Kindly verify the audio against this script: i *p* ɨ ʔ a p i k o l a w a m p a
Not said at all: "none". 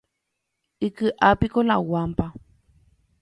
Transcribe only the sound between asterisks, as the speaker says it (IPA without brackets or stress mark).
k